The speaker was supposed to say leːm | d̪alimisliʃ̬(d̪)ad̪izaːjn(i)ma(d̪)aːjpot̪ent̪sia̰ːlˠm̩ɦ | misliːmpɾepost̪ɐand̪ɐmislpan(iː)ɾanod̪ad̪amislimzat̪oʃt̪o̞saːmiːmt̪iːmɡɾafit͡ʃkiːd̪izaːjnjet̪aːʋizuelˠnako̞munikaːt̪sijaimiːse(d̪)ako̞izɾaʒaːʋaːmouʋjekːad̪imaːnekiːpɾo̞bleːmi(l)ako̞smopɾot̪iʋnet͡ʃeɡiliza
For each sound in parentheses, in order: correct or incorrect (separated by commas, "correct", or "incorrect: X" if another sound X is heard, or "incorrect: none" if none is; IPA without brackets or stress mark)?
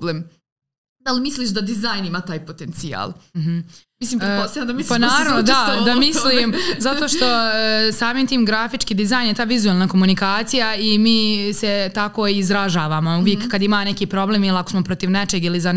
correct, correct, incorrect: t̪, incorrect: aː, incorrect: t̪, correct